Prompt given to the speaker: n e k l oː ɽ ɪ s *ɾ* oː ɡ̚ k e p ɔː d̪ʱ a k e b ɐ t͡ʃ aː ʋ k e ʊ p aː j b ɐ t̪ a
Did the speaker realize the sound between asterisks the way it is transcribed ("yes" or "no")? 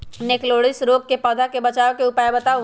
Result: yes